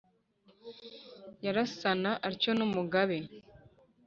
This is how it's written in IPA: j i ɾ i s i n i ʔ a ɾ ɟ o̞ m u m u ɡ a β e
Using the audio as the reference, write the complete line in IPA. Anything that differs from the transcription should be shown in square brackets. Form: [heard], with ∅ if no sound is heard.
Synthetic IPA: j [a] ɾ [a] s [a] n [a] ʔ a ɾ [c] o̞ [n] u m u ɡ a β e

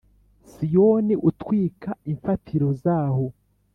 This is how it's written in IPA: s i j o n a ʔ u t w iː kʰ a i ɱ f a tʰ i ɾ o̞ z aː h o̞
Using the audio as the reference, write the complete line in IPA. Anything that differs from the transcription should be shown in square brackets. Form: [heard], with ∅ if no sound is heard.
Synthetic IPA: s i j o n [i] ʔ u t w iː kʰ a i ɱ f a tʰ i ɾ o̞ z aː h o̞

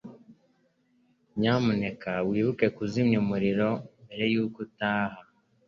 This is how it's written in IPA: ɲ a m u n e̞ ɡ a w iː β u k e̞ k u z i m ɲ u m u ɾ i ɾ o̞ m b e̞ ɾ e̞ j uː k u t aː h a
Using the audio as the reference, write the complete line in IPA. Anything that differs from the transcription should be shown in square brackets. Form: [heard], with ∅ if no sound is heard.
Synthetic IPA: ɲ a m u n e̞ [k] a w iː β u k e̞ k u z i m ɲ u m u ɾ i ɾ o̞ m b e̞ ɾ e̞ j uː k u t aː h a

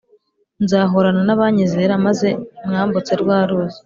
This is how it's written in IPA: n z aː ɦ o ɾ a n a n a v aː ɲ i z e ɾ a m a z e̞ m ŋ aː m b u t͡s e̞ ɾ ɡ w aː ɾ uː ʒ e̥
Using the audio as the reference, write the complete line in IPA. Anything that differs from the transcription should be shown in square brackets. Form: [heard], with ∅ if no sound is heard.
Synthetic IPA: n z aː ɦ o ɾ a n a n a [β] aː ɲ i z e ɾ a m a z e̞ m ŋ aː m b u t͡s e̞ ɾ ɡ w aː ɾ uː [z] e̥

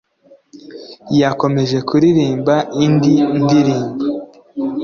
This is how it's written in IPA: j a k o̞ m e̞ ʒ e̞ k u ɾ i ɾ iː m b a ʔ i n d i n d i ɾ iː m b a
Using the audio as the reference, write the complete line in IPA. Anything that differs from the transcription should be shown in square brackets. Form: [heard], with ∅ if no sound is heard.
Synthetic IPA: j a k o̞ m e̞ ʒ e̞ k u ɾ i ɾ iː m b a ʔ i n d i n d i ɾ iː m b a

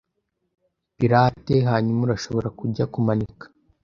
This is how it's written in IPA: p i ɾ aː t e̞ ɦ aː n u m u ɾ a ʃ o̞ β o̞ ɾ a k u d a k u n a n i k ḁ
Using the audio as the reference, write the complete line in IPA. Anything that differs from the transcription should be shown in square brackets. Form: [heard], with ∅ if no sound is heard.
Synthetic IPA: p i ɾ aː t e̞ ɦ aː [ɲ] u m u ɾ a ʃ o̞ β o̞ ɾ a k u [ɟ] a k u [m] a n i k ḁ

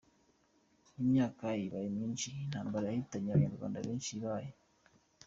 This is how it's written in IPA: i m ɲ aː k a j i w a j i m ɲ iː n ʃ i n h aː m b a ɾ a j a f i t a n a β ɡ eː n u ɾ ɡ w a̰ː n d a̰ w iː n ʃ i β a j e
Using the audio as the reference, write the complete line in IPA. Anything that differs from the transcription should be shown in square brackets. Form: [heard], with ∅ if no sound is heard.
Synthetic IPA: i m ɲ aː k a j i [β] a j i m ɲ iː n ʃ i n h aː m b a ɾ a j a [h] i t a [ɲ] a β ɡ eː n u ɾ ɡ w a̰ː n d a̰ [β] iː n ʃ i β a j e

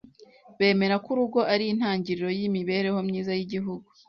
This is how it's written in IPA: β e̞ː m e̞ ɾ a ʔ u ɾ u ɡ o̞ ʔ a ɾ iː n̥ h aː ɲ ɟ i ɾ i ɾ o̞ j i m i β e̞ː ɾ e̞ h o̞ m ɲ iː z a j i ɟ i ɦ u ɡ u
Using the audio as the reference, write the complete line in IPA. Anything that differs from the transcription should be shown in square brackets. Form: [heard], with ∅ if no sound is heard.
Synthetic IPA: β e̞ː m e̞ ɾ a [k] u ɾ u ɡ o̞ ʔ a ɾ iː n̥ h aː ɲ ɟ i ɾ i ɾ o̞ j i m i β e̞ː ɾ e̞ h o̞ m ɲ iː z a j i ɟ i ɦ u ɡ u

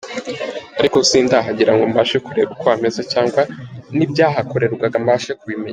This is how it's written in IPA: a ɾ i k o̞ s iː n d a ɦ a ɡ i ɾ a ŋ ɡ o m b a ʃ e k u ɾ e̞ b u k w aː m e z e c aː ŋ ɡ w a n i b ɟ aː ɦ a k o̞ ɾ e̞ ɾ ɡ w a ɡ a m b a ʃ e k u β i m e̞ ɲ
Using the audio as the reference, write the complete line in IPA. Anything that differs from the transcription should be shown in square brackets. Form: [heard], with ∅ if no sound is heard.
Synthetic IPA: a ɾ i k o̞ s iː n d a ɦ a [ɟ] i ɾ a ŋ ɡ o m b a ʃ e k u ɾ e̞ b u k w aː m e z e c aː ŋ ɡ w a n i b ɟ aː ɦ a k o̞ ɾ e̞ ɾ ɡ w a ɡ a m b a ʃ e k u β i m e̞ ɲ

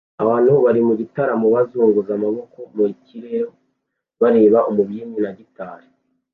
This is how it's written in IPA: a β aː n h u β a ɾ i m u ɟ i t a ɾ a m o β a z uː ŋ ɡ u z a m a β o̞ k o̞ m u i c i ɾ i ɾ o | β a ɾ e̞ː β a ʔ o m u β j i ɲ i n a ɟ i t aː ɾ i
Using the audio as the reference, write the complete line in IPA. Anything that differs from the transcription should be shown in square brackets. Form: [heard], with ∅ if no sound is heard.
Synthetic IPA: a β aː n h u β a ɾ i m u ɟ i t a ɾ a m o β a z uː ŋ ɡ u z a m a β o̞ k o̞ m u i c i ɾ [e] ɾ o | β a ɾ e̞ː β a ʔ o m u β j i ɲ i n a ɟ i t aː ɾ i

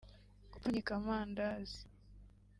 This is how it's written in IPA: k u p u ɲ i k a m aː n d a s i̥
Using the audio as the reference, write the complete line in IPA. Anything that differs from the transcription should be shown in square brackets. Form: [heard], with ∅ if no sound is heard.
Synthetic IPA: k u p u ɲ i k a m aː n d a [z] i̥

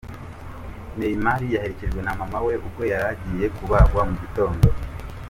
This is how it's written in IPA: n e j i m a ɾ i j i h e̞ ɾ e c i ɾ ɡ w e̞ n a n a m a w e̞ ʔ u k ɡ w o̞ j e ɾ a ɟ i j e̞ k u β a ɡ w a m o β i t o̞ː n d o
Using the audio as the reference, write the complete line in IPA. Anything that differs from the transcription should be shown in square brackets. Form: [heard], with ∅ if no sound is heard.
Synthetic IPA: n e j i m a ɾ i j [a] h e̞ ɾ e c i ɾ ɡ w e̞ n a [m] a m a w e̞ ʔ u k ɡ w o̞ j [a] ɾ a ɟ i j e̞ k u β a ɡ w a m [u] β i t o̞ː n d o

